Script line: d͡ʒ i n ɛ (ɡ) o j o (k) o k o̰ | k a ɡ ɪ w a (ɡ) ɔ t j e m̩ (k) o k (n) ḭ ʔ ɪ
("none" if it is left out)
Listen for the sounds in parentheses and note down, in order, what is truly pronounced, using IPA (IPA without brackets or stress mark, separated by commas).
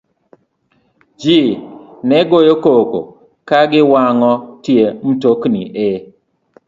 ɡ, k, ŋ, t, n